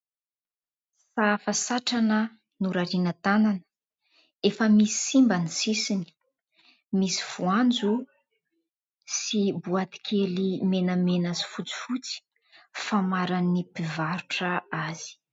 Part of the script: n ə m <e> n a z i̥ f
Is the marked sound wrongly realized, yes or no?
no